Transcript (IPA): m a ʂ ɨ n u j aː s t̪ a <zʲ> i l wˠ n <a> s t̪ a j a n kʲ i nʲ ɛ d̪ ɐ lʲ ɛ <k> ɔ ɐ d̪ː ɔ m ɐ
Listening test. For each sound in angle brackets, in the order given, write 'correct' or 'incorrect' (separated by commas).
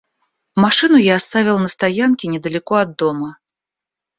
incorrect, incorrect, correct